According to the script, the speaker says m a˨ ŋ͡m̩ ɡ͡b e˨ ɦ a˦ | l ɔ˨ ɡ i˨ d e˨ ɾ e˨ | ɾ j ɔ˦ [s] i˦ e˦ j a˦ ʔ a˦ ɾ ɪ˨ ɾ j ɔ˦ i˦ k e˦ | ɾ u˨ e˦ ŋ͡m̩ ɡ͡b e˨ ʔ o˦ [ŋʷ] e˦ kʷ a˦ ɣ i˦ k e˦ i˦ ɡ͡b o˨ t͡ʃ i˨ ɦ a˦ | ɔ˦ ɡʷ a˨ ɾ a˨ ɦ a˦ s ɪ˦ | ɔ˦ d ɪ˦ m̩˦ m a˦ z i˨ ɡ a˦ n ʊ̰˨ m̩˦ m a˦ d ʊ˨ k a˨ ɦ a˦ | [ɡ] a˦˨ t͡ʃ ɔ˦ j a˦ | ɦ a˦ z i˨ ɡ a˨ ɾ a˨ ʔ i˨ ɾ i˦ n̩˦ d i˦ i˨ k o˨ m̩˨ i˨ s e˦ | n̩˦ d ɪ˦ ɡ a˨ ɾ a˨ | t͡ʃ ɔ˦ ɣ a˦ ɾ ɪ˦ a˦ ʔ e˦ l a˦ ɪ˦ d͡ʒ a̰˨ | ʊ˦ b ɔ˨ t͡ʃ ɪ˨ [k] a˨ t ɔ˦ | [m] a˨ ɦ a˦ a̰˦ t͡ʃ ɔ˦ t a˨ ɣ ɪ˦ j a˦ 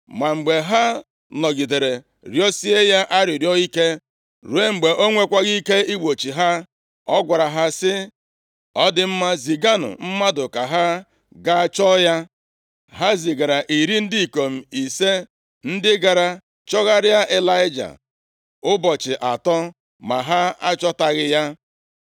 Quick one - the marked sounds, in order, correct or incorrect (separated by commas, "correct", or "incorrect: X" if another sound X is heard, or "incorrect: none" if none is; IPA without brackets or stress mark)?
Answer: correct, correct, correct, incorrect: ʔ, correct